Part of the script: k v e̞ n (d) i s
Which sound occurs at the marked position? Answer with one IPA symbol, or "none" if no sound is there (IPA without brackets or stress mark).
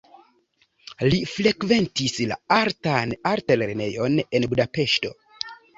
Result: t